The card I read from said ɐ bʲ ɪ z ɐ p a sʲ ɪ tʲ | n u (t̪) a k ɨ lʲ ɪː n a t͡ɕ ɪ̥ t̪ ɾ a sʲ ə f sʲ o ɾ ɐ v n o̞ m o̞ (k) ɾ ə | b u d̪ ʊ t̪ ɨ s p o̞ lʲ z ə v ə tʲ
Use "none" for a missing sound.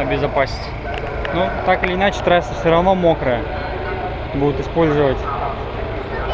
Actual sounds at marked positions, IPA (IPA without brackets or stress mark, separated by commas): t̪, k